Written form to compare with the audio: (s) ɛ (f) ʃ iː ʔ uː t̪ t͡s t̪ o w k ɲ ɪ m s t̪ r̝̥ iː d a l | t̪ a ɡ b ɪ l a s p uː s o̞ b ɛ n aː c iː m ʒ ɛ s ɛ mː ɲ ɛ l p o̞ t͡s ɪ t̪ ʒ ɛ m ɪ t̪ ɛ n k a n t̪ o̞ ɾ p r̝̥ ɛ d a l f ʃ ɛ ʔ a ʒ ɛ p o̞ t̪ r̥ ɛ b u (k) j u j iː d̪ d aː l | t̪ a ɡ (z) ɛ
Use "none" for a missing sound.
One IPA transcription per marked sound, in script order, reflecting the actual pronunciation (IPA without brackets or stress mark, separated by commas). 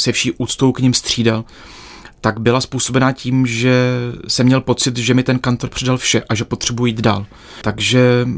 s, f, none, ʒ